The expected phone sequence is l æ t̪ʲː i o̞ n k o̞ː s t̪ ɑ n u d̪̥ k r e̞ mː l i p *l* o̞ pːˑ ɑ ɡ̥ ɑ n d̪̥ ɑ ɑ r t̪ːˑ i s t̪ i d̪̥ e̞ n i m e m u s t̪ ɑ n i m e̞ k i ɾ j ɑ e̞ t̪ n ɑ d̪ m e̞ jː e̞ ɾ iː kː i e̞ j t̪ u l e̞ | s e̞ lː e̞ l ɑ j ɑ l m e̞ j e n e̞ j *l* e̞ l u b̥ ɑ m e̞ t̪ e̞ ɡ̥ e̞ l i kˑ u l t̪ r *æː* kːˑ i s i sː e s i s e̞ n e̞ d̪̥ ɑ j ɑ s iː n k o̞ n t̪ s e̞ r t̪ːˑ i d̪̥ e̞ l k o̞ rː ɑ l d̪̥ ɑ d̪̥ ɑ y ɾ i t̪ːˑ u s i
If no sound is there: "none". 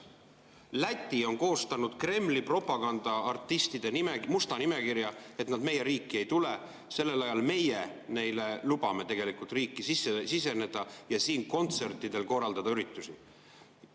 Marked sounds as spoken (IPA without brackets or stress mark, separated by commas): r, l, iː